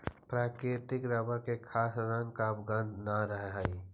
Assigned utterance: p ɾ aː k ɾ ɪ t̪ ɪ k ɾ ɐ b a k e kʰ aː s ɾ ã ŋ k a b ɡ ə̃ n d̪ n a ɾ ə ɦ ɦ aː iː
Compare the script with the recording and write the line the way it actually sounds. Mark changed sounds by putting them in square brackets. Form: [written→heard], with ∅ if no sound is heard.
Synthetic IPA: p ɾ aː k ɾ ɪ t̪ ɪ k ɾ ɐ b a k e kʰ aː s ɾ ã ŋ k a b ɡ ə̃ n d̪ n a ɾ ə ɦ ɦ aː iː